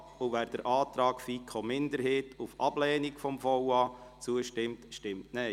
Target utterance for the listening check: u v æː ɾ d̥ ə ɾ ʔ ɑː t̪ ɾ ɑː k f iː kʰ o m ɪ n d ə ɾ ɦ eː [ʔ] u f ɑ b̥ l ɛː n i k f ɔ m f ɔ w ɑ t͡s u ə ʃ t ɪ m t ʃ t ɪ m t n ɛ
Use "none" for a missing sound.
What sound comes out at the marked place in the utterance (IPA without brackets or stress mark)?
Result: t